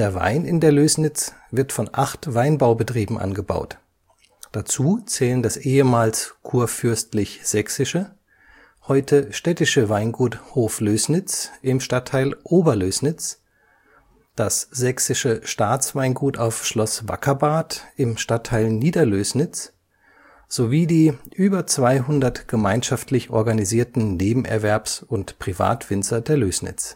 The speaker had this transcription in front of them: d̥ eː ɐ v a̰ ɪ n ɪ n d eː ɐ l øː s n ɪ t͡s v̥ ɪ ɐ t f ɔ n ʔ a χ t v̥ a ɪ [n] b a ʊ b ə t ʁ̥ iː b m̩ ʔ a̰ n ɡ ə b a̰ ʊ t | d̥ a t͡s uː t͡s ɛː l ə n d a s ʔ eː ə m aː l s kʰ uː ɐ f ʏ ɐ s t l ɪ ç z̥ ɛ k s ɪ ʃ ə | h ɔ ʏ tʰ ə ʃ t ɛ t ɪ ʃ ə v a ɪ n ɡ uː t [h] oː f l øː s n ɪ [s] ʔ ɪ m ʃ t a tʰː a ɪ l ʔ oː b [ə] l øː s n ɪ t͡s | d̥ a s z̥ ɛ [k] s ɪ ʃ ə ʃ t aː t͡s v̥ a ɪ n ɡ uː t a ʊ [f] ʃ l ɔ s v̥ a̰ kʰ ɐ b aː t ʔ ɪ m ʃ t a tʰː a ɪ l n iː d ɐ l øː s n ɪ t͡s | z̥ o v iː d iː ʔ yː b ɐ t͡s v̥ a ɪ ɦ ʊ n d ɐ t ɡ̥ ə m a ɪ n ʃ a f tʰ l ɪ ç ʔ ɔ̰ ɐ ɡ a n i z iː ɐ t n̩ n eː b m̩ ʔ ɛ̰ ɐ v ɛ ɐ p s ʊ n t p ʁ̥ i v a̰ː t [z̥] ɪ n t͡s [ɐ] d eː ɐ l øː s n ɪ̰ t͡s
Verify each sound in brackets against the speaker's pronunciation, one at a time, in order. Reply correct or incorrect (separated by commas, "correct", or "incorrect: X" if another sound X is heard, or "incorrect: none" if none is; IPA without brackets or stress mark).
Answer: correct, correct, incorrect: t͡s, incorrect: ɐ, correct, correct, incorrect: v̥, correct